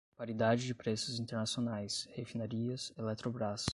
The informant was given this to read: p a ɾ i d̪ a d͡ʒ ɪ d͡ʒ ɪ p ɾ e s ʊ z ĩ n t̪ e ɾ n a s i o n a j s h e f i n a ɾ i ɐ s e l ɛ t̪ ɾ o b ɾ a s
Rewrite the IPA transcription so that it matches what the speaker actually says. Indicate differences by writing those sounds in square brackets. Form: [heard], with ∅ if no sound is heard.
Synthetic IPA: p a ɾ i d̪ a d͡ʒ ɪ d͡ʒ ɪ p ɾ e s ʊ z ĩ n t̪ e ɾ n a s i o n a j s h e f i n a ɾ i ɐ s e l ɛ t̪ ɾ o b ɾ a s

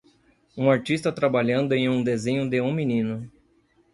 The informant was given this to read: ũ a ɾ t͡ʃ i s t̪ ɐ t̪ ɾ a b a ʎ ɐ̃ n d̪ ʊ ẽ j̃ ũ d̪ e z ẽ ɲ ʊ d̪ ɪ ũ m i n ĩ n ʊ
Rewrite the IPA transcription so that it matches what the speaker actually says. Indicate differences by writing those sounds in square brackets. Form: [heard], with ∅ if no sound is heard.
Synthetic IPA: ũ a ɾ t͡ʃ i s t̪ ɐ t̪ ɾ a b a ʎ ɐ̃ n d̪ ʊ ẽ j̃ ũ d̪ e z ẽ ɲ ʊ d̪ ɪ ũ m i n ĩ n ʊ

